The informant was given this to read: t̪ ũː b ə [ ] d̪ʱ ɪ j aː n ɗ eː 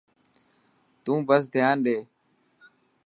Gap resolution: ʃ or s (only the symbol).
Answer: s